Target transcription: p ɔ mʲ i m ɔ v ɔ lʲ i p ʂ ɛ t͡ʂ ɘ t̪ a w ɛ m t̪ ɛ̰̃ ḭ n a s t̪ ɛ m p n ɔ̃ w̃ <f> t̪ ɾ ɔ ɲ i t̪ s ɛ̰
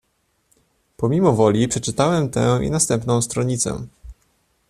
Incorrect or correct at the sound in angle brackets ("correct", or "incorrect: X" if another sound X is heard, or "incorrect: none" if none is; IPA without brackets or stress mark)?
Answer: incorrect: s